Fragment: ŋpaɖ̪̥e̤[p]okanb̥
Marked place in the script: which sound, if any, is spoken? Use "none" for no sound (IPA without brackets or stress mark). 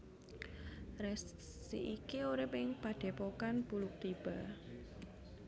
p